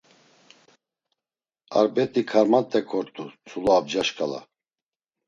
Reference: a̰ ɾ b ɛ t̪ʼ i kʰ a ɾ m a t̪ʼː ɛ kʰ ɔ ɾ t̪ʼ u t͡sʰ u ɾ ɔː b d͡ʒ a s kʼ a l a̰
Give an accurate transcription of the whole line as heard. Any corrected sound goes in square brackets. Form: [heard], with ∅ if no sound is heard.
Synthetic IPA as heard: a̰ ɾ b ɛ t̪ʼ i kʰ a ɾ m a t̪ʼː ɛ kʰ ɔ ɾ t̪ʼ u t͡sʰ u [l] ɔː b d͡ʒ a [ʃ] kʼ a l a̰